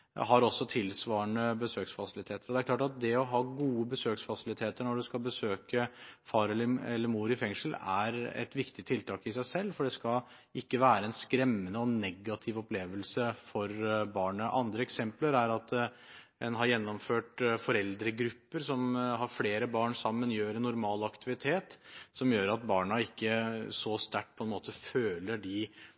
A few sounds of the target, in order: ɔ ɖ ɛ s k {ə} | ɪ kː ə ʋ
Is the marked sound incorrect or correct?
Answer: incorrect: ɑ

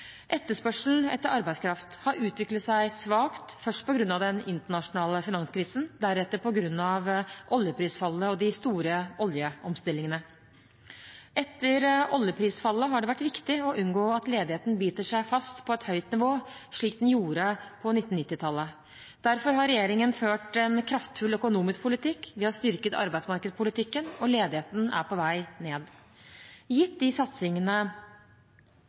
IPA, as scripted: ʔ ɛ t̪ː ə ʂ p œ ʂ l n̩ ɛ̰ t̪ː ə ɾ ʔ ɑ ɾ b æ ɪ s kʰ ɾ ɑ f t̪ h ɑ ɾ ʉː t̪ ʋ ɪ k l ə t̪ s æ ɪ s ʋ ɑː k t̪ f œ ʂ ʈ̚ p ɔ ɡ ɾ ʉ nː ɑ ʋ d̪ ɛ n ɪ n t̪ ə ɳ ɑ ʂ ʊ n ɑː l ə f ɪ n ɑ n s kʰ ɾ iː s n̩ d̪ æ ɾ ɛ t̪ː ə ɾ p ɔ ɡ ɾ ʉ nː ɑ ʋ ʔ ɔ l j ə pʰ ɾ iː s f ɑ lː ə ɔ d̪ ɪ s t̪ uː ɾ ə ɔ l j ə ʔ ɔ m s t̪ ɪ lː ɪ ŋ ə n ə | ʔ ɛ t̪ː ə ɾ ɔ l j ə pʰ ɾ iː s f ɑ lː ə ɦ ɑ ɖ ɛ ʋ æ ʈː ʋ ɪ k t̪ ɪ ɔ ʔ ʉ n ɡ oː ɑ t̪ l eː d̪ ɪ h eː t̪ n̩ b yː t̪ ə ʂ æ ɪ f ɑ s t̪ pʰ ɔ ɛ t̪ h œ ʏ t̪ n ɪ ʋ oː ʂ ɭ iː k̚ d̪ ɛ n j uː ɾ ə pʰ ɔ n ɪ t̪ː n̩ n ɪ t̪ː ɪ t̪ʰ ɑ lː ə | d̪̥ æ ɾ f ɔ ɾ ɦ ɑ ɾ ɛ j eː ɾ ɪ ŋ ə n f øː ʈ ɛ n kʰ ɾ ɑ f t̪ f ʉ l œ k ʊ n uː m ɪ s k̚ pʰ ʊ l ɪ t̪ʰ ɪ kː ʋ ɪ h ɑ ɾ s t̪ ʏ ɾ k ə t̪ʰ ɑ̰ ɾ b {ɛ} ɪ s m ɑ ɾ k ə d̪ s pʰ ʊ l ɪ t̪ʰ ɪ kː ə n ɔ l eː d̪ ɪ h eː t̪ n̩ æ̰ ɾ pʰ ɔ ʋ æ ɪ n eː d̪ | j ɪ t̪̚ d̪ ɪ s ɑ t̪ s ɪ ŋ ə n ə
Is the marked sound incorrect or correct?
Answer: incorrect: æ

